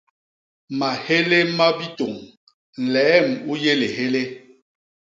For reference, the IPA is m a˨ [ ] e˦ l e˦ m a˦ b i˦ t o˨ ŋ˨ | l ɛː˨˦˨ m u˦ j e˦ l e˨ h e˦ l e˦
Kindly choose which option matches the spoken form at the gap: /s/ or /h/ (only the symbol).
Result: h